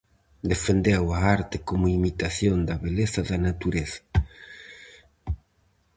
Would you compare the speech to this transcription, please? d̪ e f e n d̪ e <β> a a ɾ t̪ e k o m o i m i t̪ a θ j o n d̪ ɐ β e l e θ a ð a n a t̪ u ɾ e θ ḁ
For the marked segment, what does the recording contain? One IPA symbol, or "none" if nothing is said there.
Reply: w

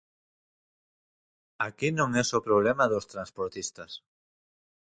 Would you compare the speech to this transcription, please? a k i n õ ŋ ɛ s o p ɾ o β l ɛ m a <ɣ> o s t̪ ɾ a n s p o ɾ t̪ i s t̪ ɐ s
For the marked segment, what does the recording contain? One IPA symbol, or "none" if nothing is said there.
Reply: ð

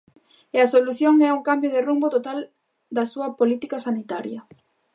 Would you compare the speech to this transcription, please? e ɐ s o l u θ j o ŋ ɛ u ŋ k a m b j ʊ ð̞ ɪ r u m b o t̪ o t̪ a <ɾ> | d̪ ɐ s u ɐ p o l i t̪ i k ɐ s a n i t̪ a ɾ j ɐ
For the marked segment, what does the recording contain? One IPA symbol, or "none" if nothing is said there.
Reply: l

